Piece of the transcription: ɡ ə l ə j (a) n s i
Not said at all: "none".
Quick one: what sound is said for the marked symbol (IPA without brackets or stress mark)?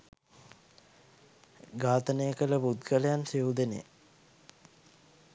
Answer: a